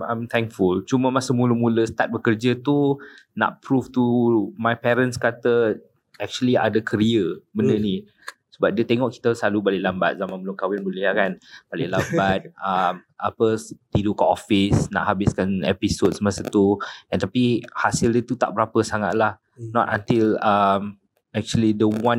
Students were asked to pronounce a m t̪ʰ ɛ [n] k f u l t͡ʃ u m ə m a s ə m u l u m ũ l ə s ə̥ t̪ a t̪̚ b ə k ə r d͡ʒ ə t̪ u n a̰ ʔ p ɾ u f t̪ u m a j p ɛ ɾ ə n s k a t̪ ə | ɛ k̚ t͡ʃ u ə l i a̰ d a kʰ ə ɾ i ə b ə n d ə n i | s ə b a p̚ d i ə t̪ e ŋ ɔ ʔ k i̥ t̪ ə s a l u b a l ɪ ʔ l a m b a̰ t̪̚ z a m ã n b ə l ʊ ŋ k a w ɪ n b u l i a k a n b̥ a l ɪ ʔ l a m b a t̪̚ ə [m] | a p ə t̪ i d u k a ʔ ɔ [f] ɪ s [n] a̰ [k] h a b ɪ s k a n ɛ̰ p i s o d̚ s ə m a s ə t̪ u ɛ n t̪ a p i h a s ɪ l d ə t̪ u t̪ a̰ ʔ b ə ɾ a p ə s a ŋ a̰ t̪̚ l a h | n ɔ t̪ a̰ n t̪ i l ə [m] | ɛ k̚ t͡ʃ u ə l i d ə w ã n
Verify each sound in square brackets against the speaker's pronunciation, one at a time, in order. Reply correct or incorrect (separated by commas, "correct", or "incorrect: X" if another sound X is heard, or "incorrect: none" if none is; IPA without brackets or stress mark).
incorrect: ŋ, correct, correct, correct, incorrect: ʔ, correct